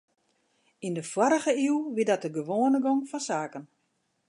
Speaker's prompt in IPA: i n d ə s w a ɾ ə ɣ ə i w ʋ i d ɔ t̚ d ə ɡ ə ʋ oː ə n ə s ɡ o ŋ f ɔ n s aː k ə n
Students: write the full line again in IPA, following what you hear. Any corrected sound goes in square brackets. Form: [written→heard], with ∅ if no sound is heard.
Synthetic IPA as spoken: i n d ə [s→f] w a ɾ ə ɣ ə i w ʋ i d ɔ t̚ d ə ɡ ə ʋ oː ə n ə [s→∅] ɡ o ŋ f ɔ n s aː k ə n